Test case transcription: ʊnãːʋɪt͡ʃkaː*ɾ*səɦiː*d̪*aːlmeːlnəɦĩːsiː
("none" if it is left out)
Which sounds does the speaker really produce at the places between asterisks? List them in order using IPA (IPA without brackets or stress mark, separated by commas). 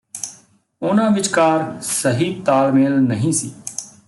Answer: ɾ, t̪